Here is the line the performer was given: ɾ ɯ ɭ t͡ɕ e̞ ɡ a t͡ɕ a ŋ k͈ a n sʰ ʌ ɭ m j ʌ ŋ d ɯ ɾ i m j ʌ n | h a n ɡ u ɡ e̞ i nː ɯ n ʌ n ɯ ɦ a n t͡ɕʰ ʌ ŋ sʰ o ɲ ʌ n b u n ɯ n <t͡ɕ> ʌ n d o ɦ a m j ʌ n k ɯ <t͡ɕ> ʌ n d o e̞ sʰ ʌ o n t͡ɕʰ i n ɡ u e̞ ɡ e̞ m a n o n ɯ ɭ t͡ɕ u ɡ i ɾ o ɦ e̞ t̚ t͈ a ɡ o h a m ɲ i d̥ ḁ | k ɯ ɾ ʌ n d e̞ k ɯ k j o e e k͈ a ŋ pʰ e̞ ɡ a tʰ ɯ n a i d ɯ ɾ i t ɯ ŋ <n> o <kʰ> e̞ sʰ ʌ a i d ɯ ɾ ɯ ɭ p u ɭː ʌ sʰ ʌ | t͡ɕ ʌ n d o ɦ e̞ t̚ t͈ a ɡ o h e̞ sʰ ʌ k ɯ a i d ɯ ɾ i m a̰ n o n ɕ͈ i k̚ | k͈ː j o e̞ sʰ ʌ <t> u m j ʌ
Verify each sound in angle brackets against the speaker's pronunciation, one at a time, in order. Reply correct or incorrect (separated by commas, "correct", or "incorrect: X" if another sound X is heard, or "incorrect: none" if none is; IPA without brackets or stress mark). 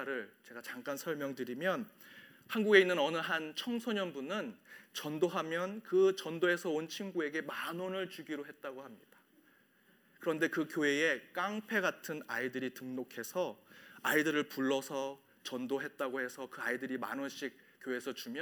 correct, correct, correct, correct, incorrect: t͡ɕ